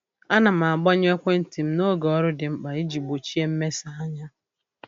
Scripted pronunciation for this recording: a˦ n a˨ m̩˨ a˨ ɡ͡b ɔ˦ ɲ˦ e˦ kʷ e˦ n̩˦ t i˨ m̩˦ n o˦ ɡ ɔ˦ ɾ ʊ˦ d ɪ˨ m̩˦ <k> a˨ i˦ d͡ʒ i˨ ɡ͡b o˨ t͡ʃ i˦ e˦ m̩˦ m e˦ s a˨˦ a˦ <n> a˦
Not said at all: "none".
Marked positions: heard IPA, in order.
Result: k͡p, ɲ

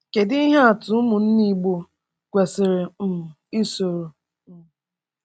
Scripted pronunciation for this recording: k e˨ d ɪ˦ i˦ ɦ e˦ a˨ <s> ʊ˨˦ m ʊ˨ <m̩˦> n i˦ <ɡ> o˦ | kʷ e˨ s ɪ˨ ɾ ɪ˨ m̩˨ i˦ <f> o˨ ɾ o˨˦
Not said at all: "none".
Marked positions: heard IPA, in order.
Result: t, n̩˦, ɡ͡b, s

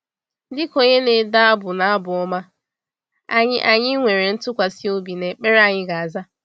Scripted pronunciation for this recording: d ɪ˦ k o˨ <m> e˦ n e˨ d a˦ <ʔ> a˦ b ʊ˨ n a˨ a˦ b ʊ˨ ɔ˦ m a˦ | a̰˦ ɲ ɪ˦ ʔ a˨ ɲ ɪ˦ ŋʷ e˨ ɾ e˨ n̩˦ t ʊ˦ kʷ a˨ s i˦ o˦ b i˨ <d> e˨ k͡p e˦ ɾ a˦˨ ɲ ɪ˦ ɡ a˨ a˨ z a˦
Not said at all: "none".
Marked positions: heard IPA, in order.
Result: ɲ, none, n

